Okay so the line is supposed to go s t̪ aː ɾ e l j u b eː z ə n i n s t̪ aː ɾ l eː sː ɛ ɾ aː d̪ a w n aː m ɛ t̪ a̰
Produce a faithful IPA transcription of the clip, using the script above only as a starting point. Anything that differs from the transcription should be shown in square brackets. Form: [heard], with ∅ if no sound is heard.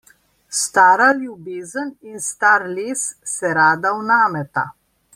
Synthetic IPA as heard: s t̪ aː ɾ [a] l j u b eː z ə n i n s t̪ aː ɾ l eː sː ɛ ɾ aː d̪ a w n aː m ɛ t̪ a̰